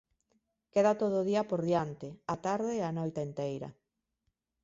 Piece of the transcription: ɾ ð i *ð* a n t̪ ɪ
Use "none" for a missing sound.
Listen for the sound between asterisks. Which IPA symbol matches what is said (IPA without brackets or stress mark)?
none